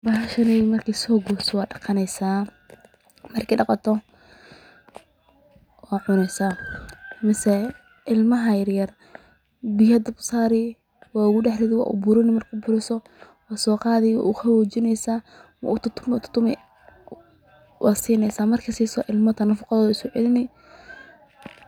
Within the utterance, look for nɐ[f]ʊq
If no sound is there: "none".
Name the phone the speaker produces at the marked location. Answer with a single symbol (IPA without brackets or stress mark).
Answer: f